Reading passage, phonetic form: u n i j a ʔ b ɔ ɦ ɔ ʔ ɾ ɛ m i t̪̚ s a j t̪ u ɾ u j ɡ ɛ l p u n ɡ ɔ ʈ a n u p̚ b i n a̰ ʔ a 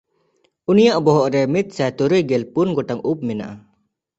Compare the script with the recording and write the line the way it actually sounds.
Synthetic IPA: u n i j a ʔ b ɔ ɦ ɔ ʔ ɾ ɛ m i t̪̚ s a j t̪ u ɾ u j ɡ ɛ l p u n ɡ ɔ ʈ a ŋ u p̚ m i n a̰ ʔ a